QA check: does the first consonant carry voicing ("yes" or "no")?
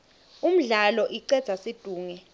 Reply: yes